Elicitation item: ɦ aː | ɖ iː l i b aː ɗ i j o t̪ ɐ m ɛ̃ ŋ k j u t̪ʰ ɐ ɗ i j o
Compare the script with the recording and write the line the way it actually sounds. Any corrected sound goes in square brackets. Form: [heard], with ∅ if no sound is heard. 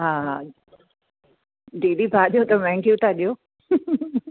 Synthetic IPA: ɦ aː | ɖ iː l i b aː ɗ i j o t̪ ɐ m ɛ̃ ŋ k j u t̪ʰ [a] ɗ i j o